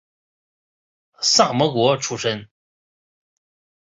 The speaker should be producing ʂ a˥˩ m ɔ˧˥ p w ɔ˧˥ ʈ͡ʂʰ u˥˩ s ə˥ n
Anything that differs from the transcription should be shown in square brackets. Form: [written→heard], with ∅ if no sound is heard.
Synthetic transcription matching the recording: [ʂ→s] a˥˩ m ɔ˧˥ [p→k] w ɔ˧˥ ʈ͡ʂʰ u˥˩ [s→ʂ] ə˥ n

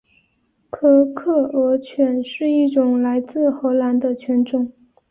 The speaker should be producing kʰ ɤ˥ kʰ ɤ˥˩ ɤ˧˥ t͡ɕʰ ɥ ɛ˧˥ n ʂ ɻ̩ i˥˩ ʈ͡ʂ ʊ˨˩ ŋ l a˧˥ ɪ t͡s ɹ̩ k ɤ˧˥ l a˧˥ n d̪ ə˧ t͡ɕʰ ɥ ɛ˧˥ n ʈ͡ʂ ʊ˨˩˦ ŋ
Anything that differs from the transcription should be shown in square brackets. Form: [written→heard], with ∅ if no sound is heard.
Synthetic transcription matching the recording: kʰ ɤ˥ kʰ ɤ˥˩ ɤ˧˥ t͡ɕʰ ɥ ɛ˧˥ n ʂ ɻ̩ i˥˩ ʈ͡ʂ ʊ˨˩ ŋ l a˧˥ ɪ t͡s ɹ̩ [k→x] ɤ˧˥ l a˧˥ n d̪ ə˧ t͡ɕʰ ɥ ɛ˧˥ n ʈ͡ʂ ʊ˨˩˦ ŋ

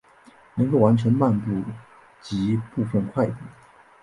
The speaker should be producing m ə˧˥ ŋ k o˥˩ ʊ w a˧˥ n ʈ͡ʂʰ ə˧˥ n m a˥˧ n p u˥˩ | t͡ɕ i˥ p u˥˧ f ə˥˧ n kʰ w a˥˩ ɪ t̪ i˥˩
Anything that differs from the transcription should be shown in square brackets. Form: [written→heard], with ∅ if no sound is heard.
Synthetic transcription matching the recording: [m→n] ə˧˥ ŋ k o˥˩ ʊ w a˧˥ n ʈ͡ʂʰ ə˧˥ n m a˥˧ n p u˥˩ | t͡ɕ [i˥→i˧˥] p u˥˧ f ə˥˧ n kʰ w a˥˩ ɪ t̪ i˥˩

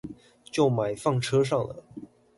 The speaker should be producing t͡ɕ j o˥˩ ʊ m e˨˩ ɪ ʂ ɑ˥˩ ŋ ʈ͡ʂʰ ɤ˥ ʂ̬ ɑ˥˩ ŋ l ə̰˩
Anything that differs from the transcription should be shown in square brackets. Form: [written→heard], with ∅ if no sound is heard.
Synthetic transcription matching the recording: t͡ɕ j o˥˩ ʊ m [e˨˩→a˨˩] ɪ [ʂ→f] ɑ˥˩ ŋ ʈ͡ʂʰ ɤ˥ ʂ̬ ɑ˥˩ ŋ l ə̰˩

